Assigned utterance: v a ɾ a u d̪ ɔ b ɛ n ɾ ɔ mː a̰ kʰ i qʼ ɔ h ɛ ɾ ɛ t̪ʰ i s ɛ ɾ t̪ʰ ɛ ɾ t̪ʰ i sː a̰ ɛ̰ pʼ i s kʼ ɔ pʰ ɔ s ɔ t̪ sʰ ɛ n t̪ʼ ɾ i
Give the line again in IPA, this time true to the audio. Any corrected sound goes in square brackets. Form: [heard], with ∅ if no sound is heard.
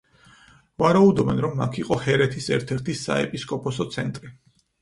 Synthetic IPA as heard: v a ɾ a u d̪ ɔ b ɛ n ɾ ɔ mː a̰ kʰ i qʼ ɔ h ɛ ɾ ɛ t̪ʰ i s ɛ ɾ t̪ʰ ɛ ɾ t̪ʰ i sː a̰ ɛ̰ pʼ i s kʼ ɔ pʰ ɔ s ɔ t̪ sʰ ɛ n t̪ʼ ɾ i